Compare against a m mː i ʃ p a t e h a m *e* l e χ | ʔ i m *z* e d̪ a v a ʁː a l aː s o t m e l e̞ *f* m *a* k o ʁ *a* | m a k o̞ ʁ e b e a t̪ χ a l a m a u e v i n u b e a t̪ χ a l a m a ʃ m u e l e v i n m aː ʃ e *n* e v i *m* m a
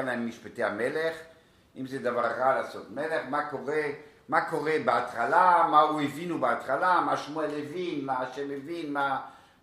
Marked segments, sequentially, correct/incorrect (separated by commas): correct, correct, incorrect, correct, incorrect, incorrect, incorrect